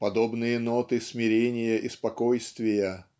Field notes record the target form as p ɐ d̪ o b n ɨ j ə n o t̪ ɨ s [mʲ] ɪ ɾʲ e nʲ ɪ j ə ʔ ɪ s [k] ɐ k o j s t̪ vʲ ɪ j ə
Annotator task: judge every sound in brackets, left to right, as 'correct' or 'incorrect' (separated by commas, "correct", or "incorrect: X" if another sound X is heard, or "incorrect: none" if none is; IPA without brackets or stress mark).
correct, incorrect: p